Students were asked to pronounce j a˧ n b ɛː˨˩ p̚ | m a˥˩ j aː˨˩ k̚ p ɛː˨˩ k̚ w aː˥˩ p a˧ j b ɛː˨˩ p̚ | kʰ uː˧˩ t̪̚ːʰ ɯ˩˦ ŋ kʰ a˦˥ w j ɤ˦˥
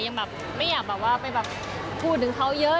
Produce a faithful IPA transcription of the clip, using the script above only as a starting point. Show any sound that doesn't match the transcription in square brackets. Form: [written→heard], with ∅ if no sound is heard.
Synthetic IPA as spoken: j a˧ [n→ŋ] b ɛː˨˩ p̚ | m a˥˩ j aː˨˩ k̚ [p→b] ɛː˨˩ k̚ w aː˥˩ p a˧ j b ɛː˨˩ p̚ | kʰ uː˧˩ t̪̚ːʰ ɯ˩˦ ŋ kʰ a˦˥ w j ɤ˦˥